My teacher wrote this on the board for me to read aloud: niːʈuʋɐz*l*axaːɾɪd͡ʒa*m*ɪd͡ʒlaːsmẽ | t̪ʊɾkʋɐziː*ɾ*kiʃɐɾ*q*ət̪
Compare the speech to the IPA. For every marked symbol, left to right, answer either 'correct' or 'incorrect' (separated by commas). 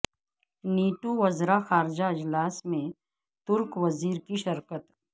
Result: incorrect, incorrect, correct, incorrect